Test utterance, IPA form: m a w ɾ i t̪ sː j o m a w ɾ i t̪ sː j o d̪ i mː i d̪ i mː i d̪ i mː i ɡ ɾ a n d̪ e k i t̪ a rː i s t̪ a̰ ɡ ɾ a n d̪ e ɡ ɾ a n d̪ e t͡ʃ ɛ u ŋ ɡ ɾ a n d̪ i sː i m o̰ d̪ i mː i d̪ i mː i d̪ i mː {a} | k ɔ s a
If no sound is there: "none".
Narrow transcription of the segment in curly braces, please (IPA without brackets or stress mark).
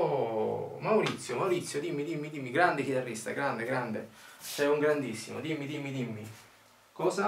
i